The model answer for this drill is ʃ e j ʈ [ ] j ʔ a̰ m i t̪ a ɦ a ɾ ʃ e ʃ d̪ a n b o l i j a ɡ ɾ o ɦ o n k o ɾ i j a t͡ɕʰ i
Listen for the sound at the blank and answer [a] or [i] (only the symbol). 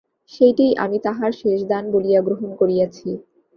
i